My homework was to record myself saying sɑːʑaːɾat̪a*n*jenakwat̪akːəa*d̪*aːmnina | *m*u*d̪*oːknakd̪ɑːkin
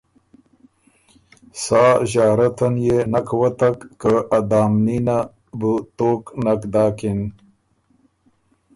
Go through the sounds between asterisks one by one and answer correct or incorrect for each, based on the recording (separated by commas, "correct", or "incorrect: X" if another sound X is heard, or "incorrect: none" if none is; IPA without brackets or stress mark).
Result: correct, correct, incorrect: b, incorrect: t̪